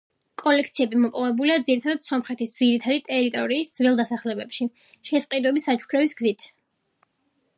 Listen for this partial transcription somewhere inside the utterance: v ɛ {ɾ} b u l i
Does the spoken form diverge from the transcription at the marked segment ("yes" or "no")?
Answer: yes